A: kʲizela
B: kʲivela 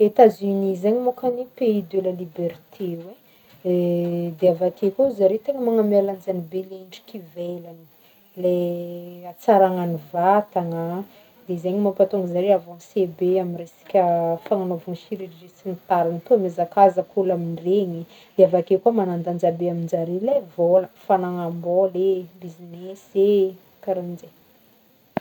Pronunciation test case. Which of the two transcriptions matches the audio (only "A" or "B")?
B